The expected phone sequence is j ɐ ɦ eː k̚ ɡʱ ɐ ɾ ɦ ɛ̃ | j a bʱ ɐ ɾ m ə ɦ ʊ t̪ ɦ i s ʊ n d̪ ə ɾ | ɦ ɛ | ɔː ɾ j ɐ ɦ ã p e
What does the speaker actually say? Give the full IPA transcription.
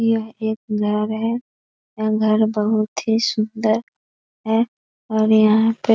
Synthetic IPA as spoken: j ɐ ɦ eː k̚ ɡʱ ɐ ɾ ɦ ɛ | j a ɡʱ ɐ ɾ b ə ɦ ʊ t̪ ɦ i s ʊ n d̪ ə ɾ | ɦ ɛ | ɔː ɾ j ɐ ɦ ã p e